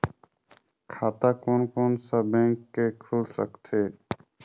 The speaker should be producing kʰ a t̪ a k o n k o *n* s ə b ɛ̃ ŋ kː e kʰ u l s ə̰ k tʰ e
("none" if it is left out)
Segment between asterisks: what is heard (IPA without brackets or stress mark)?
n